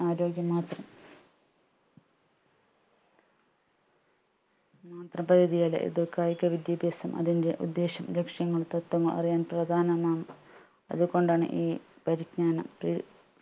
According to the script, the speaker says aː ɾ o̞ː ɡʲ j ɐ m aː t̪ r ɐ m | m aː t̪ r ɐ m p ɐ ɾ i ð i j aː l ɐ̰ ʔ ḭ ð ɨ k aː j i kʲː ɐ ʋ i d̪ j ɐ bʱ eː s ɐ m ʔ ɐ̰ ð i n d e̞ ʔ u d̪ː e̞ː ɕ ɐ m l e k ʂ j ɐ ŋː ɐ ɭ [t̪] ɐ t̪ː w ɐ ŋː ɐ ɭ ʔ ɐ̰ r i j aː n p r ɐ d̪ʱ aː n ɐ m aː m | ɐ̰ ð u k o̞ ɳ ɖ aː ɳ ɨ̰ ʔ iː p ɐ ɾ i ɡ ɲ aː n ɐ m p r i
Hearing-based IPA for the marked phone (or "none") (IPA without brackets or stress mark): t̪